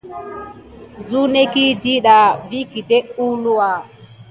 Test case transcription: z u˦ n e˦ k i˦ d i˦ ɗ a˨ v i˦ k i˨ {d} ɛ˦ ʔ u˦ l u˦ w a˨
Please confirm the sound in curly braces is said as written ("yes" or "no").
yes